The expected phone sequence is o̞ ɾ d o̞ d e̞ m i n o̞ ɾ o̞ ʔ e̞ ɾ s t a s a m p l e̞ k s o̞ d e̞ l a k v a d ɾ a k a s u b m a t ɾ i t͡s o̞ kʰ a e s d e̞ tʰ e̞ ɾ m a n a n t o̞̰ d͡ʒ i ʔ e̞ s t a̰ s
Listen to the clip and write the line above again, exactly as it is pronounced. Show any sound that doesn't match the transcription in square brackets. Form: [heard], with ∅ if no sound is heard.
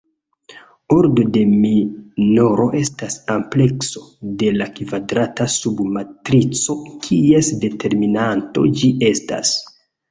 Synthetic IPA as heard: o̞ ɾ d o̞ d e̞ m i n o̞ ɾ o̞ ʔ e̞ [∅] s t a s a m p l e̞ k s o̞ d e̞ l a k v a d ɾ a [t] a s u b m a t ɾ i t͡s o̞ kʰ [i] e s d e̞ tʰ e̞ ɾ m [i] n a n t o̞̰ d͡ʒ i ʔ e̞ s t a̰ s